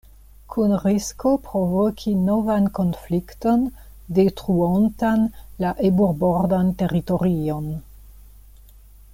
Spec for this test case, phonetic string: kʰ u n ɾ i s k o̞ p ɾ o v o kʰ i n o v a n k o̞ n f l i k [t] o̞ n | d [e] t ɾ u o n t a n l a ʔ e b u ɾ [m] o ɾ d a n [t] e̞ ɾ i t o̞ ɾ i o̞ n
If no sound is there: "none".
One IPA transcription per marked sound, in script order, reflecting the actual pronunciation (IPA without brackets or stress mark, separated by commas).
t, e, b, t